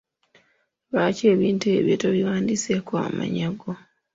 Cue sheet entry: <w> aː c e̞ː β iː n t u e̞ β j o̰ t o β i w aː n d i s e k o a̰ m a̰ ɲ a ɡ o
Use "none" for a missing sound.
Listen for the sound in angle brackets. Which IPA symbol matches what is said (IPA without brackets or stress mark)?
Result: β